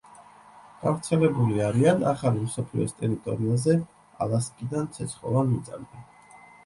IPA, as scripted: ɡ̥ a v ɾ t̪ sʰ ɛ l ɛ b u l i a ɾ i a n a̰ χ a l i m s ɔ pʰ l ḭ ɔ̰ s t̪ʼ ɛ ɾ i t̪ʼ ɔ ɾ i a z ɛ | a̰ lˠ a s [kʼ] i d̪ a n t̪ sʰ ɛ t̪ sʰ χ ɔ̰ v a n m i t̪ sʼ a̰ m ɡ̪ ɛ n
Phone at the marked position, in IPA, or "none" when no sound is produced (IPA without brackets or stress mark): kʼ